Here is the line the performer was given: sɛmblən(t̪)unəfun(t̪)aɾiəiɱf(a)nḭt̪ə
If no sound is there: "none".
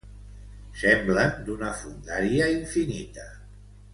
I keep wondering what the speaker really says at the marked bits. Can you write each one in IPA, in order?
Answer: d̪, d̪, i

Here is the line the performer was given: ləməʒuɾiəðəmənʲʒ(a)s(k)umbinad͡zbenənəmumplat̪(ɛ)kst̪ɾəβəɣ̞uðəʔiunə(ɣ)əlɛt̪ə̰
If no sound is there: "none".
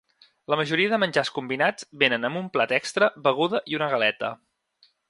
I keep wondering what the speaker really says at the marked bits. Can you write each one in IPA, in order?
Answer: a, k, ɛ, ɣ

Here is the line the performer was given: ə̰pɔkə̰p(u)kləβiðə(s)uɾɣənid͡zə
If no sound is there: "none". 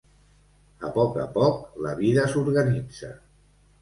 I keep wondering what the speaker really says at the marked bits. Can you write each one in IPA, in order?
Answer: ɔ, s

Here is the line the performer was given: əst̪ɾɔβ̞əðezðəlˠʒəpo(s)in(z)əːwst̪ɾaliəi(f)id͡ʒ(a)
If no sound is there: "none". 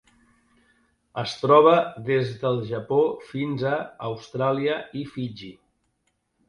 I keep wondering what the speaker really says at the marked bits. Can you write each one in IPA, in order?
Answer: f, z, f, i

